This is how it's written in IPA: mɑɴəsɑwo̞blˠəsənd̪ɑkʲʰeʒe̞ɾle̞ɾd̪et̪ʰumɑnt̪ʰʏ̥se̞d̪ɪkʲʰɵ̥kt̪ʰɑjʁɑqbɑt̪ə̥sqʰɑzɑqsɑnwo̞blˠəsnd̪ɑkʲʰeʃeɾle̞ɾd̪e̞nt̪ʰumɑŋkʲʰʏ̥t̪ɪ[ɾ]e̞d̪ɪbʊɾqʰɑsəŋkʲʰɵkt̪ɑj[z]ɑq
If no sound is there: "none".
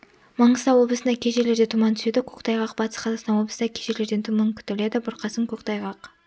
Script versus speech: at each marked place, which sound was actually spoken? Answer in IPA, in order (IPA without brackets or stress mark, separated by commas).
l, ʁ